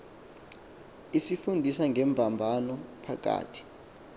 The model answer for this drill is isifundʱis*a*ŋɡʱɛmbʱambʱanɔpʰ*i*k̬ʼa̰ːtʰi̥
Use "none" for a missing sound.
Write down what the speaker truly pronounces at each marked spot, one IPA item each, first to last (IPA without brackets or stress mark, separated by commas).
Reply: a, a